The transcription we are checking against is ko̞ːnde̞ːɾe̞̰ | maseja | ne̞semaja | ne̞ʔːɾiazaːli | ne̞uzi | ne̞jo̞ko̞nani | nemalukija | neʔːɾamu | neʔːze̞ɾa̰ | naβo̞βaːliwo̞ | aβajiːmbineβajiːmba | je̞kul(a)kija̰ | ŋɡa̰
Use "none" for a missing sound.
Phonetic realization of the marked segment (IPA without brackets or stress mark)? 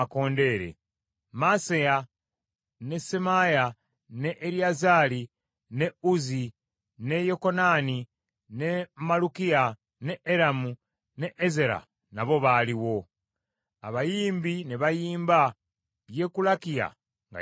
a